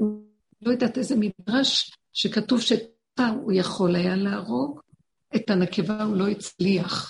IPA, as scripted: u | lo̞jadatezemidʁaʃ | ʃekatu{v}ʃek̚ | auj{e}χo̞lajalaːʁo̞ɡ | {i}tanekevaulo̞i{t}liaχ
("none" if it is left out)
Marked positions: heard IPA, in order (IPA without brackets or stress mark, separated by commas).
v, a, e, t͡s